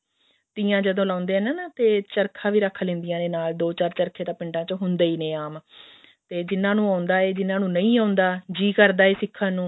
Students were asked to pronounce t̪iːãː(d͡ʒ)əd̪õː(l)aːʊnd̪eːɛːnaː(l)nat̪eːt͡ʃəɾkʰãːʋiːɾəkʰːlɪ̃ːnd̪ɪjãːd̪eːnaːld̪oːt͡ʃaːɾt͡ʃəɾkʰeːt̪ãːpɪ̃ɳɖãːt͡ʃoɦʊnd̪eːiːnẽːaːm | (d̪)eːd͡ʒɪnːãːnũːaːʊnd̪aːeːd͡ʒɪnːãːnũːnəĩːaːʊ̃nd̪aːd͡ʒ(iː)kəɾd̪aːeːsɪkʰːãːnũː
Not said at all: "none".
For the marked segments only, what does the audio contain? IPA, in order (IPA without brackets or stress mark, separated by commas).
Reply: d͡ʒ, l, none, t̪, iː